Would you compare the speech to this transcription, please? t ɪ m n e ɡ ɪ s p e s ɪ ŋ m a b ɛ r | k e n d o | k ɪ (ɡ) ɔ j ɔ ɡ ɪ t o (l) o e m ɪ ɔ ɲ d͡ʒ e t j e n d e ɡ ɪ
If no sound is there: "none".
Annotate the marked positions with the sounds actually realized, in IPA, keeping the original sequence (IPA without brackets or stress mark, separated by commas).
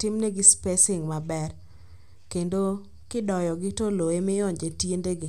d, l